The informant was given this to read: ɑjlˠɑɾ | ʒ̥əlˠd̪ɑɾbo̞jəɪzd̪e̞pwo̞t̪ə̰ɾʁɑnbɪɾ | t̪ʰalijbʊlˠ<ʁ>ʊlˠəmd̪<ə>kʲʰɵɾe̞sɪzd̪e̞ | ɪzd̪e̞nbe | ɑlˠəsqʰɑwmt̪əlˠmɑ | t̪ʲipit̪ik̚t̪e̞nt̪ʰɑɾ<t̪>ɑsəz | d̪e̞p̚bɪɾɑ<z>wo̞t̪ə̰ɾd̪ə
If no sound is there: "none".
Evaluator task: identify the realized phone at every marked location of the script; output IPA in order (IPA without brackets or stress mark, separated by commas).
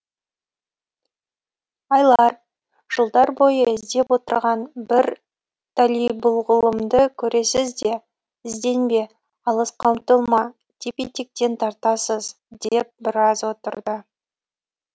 ʁ, ə, t̪, z